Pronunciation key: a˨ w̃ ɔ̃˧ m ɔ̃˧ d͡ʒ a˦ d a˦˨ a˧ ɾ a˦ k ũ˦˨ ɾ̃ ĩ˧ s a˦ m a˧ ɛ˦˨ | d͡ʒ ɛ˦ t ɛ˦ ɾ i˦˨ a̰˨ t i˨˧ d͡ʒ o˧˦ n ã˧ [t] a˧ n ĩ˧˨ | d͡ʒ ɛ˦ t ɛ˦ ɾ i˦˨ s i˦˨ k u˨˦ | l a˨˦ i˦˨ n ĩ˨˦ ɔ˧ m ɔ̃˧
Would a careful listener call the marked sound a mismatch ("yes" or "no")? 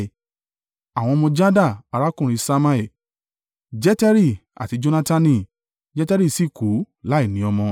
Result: no